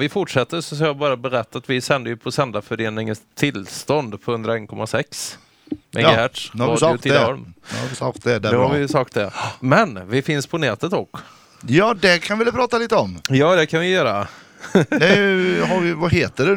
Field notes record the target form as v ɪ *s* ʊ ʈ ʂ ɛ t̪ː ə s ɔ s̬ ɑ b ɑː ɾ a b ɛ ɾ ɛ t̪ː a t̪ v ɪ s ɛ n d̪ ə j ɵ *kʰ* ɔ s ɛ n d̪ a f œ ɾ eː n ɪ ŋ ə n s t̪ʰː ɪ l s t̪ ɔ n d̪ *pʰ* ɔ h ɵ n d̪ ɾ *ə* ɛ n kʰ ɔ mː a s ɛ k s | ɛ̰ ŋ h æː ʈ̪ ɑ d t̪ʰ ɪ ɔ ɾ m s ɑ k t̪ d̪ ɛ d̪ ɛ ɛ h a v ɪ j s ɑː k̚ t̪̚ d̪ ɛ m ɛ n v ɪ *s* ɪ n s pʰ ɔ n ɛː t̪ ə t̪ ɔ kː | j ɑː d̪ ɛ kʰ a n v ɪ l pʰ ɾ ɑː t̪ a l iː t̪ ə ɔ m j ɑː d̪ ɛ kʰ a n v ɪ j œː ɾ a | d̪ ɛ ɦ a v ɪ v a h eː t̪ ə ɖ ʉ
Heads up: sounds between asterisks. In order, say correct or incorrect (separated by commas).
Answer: incorrect, incorrect, correct, incorrect, incorrect